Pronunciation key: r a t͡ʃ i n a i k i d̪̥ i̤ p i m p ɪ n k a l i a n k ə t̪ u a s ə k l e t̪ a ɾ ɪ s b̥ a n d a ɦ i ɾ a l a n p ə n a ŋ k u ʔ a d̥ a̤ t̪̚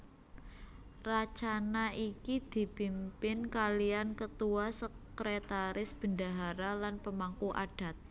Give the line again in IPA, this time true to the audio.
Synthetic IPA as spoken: r a t͡ʃ a n a i k i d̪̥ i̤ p i m p ɪ n k a l i a n k ə t̪ u a s ə k ɾ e t̪ a ɾ ɪ s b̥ ə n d a ɦ a ɾ a l a n p ə m a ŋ k u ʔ a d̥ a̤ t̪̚